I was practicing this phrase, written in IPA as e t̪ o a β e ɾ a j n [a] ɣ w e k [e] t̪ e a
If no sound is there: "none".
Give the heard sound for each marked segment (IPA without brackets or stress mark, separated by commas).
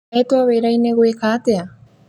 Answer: e, a